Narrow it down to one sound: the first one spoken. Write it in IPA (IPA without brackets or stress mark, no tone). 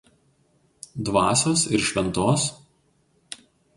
d̪